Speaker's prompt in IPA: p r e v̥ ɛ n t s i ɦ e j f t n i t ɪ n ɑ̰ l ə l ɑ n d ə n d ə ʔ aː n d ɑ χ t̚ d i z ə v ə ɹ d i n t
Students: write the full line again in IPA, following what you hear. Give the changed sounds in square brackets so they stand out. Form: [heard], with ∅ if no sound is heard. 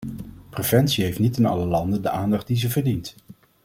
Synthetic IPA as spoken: p r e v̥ ɛ n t s i ɦ e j f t n i t ɪ n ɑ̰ l ə l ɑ n d ə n d ə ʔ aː n d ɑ χ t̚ d i z ə v ə ɹ d i n t